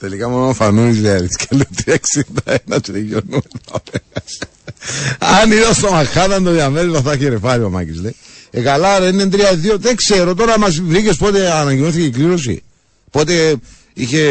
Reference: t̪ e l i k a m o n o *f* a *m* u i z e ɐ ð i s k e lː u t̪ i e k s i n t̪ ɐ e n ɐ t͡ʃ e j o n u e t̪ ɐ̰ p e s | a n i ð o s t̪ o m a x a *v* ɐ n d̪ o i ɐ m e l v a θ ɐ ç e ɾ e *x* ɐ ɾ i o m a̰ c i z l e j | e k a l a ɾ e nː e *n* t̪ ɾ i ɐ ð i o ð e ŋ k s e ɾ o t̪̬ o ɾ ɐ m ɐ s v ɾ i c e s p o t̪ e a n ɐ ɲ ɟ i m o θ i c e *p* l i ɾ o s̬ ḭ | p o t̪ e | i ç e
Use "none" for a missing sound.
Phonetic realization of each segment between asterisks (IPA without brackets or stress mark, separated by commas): f, n, ð, f, n, k